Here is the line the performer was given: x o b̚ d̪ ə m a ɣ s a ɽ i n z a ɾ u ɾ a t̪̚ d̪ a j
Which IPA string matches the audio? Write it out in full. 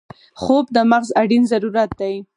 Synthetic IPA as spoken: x o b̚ d̪ ə m a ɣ z a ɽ i n z a ɾ u ɾ a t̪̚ d̪ a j